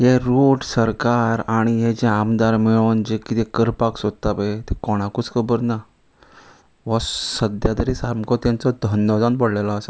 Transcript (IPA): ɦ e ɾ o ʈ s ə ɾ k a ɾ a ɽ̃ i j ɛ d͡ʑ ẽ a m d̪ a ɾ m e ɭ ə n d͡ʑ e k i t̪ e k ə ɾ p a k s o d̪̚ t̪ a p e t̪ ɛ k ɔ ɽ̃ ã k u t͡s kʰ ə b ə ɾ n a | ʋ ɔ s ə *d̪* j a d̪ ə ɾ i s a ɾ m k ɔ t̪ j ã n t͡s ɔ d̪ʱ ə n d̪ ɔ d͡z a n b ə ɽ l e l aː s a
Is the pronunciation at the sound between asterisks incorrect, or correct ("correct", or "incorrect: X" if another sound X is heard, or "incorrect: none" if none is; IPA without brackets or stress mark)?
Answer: correct